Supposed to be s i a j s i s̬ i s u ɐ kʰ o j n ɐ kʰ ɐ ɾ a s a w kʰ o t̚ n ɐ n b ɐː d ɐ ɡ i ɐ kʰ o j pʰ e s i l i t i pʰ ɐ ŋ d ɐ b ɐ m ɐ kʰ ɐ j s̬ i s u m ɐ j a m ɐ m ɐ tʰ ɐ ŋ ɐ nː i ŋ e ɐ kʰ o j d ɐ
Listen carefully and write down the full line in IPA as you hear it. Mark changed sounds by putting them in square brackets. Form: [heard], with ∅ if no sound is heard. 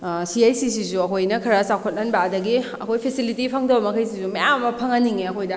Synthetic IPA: s i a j s i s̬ i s u ɐ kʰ o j n ɐ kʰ ɐ ɾ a s a w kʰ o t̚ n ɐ n b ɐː d ɐ ɡ i ɐ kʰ o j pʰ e s i l i t i pʰ ɐ ŋ d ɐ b ɐ m ɐ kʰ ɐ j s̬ i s u m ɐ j a m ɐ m ɐ [pʰ] ɐ ŋ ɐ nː i ŋ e ɐ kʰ o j d ɐ